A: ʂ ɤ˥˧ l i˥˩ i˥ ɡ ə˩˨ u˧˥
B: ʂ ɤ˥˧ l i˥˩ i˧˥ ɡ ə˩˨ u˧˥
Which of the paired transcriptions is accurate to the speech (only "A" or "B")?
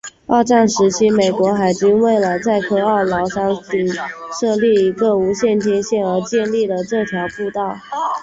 B